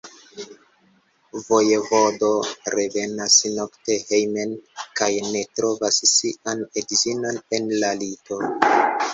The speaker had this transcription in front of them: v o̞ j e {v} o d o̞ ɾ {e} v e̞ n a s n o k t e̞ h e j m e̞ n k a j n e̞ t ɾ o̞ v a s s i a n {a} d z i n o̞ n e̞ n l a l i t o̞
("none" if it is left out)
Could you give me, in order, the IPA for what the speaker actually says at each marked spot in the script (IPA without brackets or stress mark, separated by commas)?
v, e, e